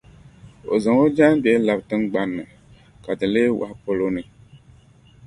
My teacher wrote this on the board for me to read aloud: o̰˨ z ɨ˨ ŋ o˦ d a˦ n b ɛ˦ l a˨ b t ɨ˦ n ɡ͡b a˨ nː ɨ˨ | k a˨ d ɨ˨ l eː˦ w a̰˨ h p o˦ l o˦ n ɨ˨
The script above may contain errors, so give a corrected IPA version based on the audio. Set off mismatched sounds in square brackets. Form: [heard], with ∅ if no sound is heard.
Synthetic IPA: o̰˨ z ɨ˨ ŋ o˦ [d͡ʒ] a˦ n b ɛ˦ l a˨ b t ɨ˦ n ɡ͡b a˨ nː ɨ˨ | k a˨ d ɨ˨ l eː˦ w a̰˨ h p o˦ l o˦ n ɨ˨